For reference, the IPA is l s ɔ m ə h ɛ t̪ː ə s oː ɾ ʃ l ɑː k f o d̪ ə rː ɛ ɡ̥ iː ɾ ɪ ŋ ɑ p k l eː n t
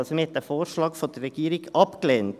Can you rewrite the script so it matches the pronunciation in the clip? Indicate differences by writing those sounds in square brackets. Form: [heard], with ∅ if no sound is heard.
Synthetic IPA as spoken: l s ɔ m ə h ɛ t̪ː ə [f] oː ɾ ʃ l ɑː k f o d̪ ə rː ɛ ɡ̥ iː ɾ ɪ [ɡ] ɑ p k l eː n t